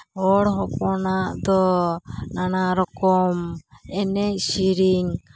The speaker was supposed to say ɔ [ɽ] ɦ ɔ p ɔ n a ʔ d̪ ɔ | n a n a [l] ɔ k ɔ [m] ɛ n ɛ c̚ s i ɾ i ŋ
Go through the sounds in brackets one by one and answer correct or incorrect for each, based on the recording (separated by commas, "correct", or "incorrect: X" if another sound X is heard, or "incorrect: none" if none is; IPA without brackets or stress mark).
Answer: correct, incorrect: ɾ, correct